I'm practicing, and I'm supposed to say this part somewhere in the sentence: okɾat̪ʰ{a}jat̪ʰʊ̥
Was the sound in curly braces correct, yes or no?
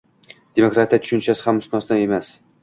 no